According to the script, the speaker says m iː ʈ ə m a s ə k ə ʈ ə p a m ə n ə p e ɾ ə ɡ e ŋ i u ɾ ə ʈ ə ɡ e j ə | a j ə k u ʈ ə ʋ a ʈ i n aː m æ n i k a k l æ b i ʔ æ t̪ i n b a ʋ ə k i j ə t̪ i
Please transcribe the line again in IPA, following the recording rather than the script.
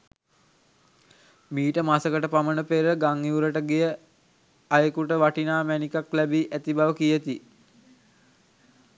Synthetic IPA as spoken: m iː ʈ ə m a s ə k ə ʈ ə p a m ə n ə p e ɾ ə ɡ a ŋ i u ɾ ə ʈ ə ɡ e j ə | a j ə k u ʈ ə ʋ a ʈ i n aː m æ n i k a k l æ b i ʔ æ t̪ i b a ʋ ə k i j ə t̪ i